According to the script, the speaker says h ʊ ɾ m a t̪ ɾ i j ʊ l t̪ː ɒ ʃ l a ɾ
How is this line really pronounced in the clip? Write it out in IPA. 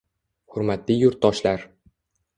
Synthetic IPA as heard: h ʊ ɾ m a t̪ l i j ʊ ɾ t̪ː ɒ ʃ l a ɾ